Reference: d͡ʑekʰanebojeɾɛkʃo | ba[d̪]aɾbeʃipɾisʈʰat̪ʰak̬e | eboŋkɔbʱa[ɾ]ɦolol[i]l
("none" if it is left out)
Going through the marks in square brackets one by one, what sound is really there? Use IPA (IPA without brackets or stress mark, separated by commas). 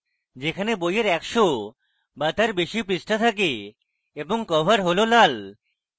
t̪, ɾ, a